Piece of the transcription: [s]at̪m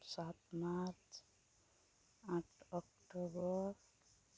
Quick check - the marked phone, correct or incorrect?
correct